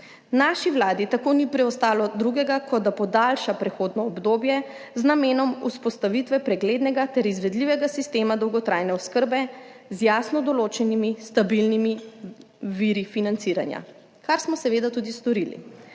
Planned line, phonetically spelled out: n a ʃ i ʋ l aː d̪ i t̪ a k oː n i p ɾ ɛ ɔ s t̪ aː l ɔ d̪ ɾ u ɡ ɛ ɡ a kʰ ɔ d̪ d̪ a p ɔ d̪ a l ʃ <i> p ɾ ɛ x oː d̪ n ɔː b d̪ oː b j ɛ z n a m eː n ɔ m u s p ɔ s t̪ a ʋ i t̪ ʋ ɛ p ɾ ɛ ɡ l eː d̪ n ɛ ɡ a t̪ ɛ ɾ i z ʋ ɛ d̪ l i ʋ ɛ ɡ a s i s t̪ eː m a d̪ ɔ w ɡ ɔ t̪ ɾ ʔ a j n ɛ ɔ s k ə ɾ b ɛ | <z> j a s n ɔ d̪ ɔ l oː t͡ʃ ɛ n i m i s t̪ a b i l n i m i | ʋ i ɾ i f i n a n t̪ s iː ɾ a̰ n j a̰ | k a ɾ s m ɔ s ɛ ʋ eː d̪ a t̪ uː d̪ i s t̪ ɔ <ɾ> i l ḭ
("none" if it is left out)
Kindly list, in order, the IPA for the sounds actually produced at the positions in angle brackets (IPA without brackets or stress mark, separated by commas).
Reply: a, z, ɾ